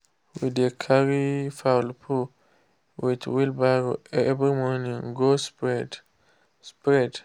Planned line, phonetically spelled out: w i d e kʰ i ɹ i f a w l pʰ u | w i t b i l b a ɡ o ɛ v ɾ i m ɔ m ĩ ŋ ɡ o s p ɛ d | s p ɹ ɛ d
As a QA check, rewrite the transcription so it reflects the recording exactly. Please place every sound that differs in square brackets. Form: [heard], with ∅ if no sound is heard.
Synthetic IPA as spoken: w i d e kʰ [a] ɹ i f a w l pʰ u | w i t [w] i l b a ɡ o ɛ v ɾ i m ɔ [n] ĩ ŋ ɡ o s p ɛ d | s p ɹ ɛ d